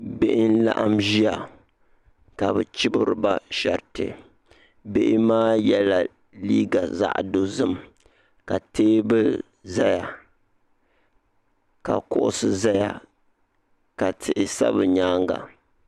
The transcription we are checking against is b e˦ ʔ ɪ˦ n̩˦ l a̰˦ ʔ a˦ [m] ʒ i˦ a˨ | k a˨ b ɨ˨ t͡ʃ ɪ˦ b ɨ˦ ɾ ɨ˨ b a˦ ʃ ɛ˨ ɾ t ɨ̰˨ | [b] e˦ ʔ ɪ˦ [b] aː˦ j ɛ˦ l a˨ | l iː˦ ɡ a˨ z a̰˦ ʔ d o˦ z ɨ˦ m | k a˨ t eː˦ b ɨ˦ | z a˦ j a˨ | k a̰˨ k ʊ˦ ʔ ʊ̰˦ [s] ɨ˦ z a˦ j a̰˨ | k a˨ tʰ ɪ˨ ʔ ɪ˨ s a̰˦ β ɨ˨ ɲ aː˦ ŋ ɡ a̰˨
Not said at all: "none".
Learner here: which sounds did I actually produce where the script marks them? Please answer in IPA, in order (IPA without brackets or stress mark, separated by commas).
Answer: m, b, m, s